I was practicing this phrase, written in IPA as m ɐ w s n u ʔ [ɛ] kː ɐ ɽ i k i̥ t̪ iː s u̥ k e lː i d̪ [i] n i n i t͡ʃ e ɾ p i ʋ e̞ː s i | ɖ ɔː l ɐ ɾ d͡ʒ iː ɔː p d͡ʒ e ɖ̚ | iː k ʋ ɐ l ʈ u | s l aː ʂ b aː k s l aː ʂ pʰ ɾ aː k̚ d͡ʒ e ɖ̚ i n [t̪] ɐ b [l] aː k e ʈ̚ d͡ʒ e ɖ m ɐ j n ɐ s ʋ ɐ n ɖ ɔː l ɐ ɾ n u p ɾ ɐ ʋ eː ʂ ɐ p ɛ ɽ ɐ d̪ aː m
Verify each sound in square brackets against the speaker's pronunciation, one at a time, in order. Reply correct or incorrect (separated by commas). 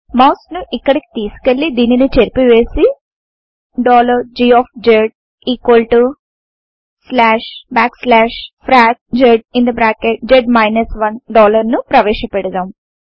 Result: incorrect, incorrect, incorrect, incorrect